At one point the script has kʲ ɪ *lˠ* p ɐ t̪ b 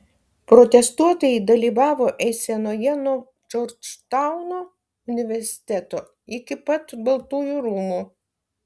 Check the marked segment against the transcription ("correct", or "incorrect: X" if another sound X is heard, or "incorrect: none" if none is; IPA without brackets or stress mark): incorrect: none